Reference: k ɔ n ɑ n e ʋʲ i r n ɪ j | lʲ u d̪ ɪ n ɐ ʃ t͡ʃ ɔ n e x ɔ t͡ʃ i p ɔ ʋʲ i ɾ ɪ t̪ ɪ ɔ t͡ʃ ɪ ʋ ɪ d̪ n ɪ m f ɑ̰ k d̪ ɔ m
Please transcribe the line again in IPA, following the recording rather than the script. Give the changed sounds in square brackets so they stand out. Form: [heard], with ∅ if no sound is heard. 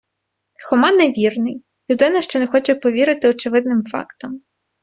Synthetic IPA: [x] ɔ [m] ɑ n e ʋʲ i r n ɪ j | lʲ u d̪ ɪ n ɐ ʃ t͡ʃ ɔ n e x ɔ t͡ʃ [ɛ] p ɔ ʋʲ i ɾ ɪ t̪ ɪ ɔ t͡ʃ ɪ ʋ ɪ d̪ n ɪ m f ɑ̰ k [t̪] ɔ m